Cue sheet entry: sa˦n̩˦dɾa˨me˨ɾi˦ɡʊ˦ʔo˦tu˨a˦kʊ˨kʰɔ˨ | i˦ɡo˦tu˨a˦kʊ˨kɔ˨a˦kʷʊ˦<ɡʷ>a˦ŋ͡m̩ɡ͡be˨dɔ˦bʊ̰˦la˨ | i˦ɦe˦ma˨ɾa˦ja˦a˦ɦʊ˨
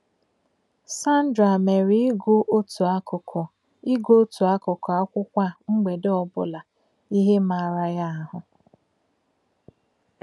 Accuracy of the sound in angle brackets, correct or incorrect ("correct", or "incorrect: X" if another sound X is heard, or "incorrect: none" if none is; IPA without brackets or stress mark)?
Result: incorrect: kʷ